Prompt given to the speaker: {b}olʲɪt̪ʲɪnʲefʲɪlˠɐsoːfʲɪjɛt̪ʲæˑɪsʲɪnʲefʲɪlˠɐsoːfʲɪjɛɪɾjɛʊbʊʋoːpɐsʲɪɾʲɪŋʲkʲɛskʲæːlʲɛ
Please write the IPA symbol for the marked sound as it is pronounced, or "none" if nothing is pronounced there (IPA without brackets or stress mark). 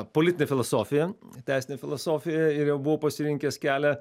p